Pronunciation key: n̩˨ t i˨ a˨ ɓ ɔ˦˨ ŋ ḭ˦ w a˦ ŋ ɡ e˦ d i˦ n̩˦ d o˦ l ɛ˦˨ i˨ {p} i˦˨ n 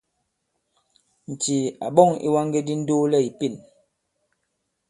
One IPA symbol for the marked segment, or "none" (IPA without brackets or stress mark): p